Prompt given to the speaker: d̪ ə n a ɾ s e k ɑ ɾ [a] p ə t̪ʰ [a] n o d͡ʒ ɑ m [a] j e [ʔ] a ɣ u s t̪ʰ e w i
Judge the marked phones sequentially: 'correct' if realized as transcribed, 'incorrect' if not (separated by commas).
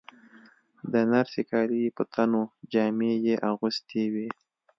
incorrect, correct, incorrect, correct